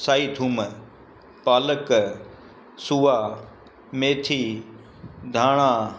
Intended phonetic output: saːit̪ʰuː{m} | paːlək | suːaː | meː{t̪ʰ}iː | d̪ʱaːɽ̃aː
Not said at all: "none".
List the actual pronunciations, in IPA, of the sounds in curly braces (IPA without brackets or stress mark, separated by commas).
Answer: m, t̪ʰ